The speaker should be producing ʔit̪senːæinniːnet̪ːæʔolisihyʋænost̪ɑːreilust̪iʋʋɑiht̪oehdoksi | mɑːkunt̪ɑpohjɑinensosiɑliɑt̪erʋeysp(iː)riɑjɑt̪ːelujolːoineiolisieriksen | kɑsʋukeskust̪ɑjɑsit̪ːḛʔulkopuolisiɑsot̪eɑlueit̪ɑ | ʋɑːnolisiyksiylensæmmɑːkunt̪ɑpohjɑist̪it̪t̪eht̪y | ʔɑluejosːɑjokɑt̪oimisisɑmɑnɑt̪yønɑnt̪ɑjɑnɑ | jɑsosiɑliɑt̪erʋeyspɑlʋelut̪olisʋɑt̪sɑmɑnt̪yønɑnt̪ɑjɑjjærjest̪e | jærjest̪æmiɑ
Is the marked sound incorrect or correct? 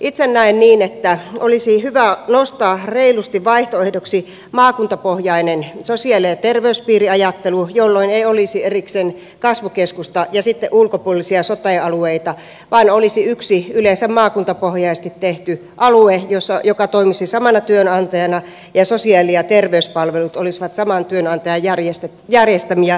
correct